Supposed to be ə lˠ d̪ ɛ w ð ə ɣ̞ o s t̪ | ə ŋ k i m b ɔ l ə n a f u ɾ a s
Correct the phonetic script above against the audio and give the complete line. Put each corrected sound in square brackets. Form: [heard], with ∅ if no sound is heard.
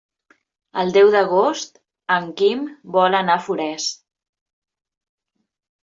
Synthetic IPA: ə lˠ d̪ ɛ w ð ə ɣ̞ o s t̪ | ə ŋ k i m b ɔ l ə n a f u ɾ [ɛ] s